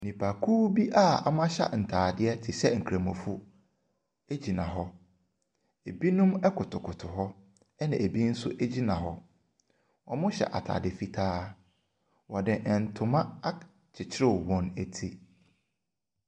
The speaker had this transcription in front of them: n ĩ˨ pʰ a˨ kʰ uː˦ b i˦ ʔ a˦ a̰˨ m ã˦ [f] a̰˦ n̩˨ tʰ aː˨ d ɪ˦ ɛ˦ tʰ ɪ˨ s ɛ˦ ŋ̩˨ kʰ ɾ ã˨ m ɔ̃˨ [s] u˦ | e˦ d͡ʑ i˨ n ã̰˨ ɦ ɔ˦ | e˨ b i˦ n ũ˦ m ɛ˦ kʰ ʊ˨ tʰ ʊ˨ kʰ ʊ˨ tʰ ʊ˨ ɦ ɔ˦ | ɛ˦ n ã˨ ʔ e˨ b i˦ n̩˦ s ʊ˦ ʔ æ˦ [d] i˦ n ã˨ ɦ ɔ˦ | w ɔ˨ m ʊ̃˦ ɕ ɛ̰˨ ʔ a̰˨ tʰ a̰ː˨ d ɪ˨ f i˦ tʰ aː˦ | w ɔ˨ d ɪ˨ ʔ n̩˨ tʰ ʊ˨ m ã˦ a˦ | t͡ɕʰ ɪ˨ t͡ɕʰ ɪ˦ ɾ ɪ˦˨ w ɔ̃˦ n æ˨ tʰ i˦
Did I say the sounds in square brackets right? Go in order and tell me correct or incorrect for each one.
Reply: incorrect: ɕ, incorrect: f, incorrect: d͡ʑ

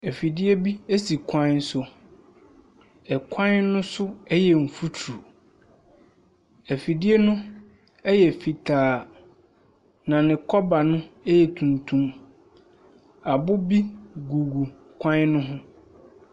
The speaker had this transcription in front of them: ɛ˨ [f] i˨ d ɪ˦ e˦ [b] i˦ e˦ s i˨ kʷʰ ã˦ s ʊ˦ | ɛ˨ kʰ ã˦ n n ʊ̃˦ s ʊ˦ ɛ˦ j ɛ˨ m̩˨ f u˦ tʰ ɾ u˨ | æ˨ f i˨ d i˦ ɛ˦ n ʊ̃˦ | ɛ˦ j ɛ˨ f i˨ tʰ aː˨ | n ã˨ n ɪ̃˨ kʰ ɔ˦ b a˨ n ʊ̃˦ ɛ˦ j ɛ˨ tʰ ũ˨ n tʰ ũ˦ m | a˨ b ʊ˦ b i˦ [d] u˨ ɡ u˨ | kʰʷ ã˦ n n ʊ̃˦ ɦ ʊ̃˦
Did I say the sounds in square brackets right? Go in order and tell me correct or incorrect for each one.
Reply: correct, correct, incorrect: ɡ

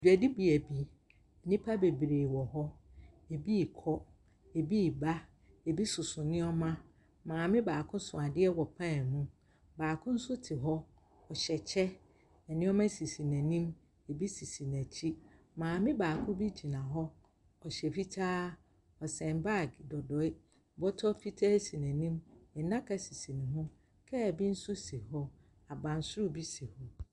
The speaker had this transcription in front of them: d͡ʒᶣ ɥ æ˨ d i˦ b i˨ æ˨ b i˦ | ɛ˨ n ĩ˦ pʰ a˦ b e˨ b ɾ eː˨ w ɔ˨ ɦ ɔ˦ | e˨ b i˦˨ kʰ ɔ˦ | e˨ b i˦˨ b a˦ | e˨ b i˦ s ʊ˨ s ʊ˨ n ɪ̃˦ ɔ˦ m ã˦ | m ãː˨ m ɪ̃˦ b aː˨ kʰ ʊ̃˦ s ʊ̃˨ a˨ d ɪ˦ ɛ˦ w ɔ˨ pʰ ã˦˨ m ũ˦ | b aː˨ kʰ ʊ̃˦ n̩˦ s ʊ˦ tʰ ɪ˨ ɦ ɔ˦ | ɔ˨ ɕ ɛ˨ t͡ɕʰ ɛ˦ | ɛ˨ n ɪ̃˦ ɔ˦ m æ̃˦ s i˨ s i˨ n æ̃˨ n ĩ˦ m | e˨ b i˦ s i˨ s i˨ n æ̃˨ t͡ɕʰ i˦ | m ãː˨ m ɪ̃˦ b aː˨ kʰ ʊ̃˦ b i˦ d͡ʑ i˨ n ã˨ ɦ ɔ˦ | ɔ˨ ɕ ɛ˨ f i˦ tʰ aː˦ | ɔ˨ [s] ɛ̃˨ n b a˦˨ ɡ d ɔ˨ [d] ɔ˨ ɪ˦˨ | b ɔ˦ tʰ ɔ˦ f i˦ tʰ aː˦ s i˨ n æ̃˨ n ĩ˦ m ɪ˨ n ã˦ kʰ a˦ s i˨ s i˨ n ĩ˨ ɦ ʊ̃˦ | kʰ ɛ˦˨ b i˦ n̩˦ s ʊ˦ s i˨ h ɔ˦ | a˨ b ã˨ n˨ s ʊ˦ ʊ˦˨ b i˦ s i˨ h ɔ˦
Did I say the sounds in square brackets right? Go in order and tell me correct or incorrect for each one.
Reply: correct, correct

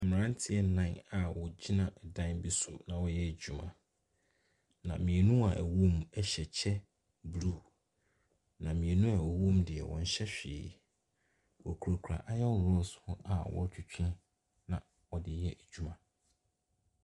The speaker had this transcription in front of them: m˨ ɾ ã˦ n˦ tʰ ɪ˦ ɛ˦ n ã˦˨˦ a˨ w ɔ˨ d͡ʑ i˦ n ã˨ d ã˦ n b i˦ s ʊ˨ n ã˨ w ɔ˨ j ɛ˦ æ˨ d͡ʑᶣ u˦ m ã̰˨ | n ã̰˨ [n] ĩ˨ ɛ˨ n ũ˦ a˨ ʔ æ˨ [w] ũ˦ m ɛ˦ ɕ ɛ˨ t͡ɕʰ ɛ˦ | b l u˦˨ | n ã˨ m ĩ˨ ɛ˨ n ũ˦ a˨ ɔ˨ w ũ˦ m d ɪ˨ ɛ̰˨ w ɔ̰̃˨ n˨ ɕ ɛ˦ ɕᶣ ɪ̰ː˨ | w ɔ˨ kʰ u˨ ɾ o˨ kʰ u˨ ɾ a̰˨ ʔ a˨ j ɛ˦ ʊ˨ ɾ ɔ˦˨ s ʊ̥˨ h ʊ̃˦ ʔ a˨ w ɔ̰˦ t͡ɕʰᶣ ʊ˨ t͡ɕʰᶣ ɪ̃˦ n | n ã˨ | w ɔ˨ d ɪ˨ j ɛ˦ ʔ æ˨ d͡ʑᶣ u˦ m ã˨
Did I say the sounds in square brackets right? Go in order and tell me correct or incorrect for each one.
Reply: incorrect: m, correct

